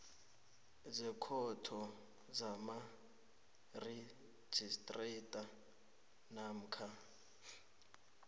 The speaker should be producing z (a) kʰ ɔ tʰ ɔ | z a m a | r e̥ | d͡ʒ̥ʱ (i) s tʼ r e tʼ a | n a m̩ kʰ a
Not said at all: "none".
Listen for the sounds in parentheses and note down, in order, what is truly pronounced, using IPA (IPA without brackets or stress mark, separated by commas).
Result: ɛ, i